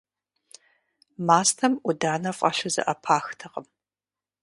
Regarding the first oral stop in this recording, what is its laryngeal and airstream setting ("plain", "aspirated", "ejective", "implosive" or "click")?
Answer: aspirated